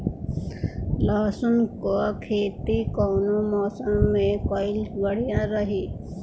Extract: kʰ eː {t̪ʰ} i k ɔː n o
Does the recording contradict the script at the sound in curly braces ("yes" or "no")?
yes